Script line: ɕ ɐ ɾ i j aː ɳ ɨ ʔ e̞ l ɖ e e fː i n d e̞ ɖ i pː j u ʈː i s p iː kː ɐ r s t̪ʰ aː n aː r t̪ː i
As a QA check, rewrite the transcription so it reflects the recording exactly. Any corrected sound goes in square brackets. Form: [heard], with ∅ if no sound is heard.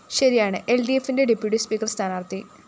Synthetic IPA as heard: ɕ ɐ ɾ i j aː ɳ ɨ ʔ e̞ l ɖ [i] e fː i n d e̞ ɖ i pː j u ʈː i s p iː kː ɐ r s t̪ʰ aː n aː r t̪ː i